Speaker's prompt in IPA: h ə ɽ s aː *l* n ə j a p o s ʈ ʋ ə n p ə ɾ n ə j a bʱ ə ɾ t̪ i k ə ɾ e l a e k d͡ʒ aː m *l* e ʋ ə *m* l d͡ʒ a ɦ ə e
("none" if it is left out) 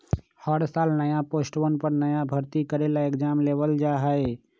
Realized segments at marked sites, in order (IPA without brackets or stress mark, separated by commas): l, l, none